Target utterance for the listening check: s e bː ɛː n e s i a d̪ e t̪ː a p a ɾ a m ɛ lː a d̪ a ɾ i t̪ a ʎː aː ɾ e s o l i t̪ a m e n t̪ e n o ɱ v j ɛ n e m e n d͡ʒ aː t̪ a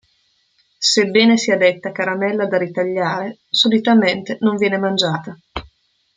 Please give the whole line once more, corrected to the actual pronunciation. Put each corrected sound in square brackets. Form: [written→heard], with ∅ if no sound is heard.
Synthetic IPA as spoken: s e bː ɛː n e s i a d̪ e t̪ː a [p→k] a ɾ a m ɛ lː a d̪ a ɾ i t̪ a ʎː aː ɾ e s o l i t̪ a m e n t̪ e n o ɱ v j [ɛ→ɛː] n e m [e→a] n d͡ʒ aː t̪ a